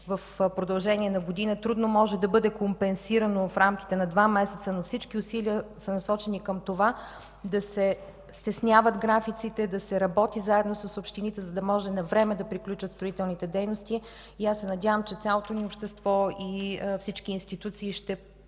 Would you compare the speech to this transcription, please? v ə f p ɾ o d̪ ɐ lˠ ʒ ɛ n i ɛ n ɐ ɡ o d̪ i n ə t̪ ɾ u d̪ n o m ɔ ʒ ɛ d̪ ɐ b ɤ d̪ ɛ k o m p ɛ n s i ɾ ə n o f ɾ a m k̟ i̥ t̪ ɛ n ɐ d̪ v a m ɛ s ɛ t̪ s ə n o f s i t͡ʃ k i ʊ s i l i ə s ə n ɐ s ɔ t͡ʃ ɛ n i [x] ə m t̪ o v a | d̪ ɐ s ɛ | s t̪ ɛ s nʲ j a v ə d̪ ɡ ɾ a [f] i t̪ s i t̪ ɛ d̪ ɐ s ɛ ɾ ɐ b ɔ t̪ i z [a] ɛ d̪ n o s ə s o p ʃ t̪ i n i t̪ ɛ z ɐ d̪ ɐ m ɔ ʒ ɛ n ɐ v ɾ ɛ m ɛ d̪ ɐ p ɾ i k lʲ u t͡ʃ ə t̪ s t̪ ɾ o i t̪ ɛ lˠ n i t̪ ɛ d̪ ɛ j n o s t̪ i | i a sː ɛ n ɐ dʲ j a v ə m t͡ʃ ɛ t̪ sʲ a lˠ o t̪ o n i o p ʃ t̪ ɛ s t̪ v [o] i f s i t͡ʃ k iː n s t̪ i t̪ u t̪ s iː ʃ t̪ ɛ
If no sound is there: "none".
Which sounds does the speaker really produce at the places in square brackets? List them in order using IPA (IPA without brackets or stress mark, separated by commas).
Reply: k, f, a, ɔ